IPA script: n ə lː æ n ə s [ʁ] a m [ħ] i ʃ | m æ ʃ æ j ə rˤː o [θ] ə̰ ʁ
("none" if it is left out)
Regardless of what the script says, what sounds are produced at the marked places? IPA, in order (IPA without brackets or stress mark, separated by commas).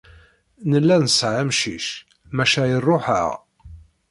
ʕ, ʃ, ħ